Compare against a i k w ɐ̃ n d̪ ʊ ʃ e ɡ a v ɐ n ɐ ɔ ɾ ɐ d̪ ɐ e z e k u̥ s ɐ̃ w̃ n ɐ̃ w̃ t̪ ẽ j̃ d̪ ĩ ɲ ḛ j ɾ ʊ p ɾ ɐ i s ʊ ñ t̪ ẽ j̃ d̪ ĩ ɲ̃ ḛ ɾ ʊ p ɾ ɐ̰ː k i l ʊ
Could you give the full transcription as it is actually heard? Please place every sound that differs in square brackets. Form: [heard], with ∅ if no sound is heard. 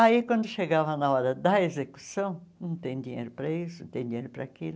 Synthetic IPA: a i k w ɐ̃ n d̪ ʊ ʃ e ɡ a v ɐ n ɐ ɔ ɾ ɐ d̪ ɐ e z e k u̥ s ɐ̃ w̃ n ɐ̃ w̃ t̪ ẽ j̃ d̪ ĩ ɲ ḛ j ɾ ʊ p ɾ ɐ i s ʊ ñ t̪ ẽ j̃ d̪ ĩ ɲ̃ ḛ ɾ ʊ p ɾ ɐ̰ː k i l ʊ

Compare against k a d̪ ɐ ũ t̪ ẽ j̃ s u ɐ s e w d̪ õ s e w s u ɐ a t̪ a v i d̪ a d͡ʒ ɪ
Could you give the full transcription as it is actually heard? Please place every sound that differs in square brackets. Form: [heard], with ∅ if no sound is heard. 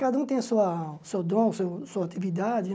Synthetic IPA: k a d̪ ɐ ũ t̪ ẽ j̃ s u ɐ s e w d̪ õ s e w s u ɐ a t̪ [i] v i d̪ a d͡ʒ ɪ

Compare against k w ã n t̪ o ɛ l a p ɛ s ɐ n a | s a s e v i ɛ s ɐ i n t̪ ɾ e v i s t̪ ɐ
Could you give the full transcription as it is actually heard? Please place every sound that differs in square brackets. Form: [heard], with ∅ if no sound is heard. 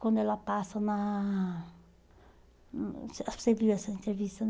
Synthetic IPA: k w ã n [d̪] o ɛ l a p [a] s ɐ n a | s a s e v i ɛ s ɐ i n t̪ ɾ e v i s t̪ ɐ

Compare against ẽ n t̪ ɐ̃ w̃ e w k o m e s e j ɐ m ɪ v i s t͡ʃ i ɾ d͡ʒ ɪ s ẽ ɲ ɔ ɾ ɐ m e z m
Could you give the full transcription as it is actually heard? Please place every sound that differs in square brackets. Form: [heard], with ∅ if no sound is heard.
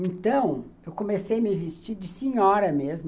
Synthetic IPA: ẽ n t̪ ɐ̃ w̃ e w k o m e s e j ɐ m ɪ v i s t͡ʃ i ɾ d͡ʒ ɪ s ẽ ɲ ɔ ɾ ɐ m e z m

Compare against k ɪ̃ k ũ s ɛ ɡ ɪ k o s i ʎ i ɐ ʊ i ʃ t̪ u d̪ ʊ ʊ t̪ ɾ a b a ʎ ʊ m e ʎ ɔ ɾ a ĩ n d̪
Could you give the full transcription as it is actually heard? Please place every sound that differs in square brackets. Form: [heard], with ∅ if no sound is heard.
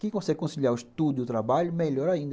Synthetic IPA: k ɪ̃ k [õ] s ɛ ɡ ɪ k [õ] s i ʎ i [a] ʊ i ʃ t̪ u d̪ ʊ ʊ t̪ ɾ a b a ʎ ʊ m e ʎ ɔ ɾ a ĩ n d̪

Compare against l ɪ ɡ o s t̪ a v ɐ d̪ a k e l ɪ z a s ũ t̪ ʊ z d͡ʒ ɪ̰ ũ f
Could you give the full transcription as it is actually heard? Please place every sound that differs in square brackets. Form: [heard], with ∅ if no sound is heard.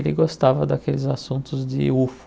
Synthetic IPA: l ɪ ɡ o s t̪ a v ɐ d̪ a k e l ɪ z a s ũ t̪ ʊ z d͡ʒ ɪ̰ [u] f

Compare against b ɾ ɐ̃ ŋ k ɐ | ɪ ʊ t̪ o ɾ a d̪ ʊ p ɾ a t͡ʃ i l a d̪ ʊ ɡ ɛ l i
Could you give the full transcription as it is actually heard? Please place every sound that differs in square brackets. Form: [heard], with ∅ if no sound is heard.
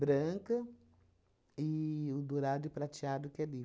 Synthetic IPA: b ɾ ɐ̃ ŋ k ɐ | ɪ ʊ [d̪] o ɾ a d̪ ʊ p ɾ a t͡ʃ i [∅] a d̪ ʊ [k] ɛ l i

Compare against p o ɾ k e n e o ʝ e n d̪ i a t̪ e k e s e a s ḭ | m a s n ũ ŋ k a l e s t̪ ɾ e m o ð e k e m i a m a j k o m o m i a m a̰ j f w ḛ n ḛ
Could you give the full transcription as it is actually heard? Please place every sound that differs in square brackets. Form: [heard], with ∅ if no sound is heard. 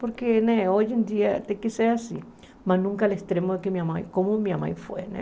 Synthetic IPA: p o ɾ k e n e o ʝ e n d̪ i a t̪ e k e s e a s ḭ | m a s n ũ ŋ k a l e s t̪ ɾ e m o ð e k e m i a m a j k o m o m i a m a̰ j f w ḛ n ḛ

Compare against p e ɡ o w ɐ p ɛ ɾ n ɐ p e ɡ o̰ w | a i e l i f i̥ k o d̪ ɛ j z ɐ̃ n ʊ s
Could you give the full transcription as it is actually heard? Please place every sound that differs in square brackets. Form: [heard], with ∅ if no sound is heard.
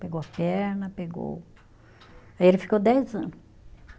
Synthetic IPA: p e ɡ o w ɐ p ɛ ɾ n ɐ p e ɡ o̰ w | a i e l [ɪ] f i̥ k o d̪ ɛ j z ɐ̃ n ʊ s

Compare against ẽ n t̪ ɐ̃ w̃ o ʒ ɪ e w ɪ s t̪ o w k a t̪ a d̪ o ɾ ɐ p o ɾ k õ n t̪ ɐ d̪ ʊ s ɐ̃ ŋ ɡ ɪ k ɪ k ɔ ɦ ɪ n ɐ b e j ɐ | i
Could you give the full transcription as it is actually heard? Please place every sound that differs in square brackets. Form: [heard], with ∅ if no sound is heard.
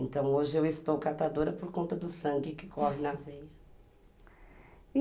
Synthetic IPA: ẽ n t̪ ɐ̃ w̃ o ʒ ɪ e w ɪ s t̪ o w k a t̪ a d̪ o ɾ ɐ p o ɾ k õ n t̪ ɐ d̪ ʊ s ɐ̃ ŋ ɡ ɪ k ɪ k ɔ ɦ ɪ n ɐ [v] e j ɐ | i

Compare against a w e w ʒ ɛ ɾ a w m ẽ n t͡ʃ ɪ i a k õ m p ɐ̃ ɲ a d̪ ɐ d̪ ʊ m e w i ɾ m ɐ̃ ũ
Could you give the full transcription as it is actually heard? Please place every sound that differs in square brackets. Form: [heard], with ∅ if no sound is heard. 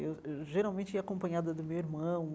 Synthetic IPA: [e] w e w ʒ [e] ɾ a w m ẽ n t͡ʃ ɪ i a k õ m p ɐ̃ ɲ a d̪ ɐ d̪ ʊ m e w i ɾ m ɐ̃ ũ

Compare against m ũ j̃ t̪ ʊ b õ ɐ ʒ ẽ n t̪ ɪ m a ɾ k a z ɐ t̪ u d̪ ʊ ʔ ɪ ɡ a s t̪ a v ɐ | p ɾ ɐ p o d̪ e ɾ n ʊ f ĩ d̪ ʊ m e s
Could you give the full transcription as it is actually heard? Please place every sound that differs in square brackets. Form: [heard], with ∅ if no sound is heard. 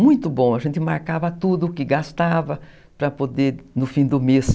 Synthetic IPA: m ũ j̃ t̪ ʊ b õ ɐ ʒ ẽ n t̪ ɪ m a ɾ k a [v] ɐ t̪ u d̪ ʊ [k] ɪ ɡ a s t̪ a v ɐ | p ɾ ɐ p o d̪ e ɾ n ʊ f ĩ d̪ ʊ m e s

